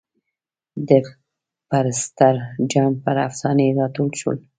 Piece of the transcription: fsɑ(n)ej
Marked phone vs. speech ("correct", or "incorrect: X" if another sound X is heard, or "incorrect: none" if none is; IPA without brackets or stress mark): correct